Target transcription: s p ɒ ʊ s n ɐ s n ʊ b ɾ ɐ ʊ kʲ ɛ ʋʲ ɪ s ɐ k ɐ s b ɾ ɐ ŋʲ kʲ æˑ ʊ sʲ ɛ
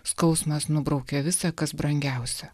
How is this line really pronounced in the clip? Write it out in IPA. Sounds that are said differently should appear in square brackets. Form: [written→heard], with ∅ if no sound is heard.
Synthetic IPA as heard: s [p→k] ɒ ʊ s [n→m] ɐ s n ʊ b ɾ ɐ ʊ kʲ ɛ ʋʲ ɪ s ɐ k ɐ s b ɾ ɐ ŋʲ [kʲ→ɡʲ] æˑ ʊ sʲ ɛ